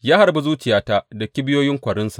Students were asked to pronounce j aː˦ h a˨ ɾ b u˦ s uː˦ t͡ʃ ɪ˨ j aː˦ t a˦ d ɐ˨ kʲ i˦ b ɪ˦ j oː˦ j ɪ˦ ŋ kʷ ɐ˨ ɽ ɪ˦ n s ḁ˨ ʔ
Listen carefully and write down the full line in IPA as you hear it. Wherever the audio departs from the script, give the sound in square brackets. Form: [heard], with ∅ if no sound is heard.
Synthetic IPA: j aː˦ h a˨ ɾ b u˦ [z] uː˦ t͡ʃ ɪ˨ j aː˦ t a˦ d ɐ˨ kʲ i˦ b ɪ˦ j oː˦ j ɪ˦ ŋ kʷ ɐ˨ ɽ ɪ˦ n s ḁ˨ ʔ